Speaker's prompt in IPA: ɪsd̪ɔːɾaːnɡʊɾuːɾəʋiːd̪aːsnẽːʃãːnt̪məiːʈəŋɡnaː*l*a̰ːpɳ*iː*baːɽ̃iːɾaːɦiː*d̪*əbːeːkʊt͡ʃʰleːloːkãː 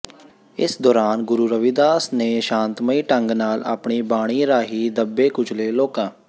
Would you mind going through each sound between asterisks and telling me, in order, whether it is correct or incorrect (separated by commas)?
correct, correct, correct